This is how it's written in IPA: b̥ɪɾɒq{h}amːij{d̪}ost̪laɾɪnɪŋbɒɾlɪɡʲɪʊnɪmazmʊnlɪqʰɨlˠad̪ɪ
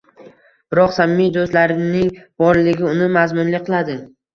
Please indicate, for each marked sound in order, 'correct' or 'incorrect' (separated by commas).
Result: incorrect, correct